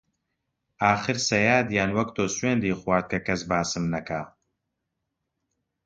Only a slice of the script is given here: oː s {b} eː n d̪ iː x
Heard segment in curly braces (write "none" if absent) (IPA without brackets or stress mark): w